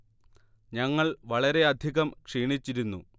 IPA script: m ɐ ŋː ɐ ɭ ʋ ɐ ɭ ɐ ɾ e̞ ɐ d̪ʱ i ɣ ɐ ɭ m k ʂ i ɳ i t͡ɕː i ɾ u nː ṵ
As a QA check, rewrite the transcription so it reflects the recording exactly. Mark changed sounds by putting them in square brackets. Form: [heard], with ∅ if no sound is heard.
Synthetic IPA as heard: [ɲ] ɐ ŋː ɐ ɭ ʋ ɐ ɭ ɐ ɾ e̞ ɐ d̪ʱ i ɣ ɐ [∅] m k ʂ [iː] ɳ i t͡ɕː i ɾ u nː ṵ